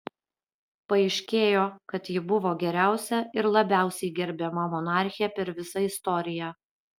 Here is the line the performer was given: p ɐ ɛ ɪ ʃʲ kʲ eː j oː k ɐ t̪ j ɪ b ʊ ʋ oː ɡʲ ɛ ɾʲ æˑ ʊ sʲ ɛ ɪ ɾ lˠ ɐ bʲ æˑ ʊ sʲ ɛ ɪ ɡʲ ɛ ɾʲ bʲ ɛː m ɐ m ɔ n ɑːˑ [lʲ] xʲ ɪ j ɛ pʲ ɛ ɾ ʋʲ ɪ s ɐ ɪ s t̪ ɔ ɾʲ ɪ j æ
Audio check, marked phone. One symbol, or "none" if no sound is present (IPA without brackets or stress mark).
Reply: ɾʲ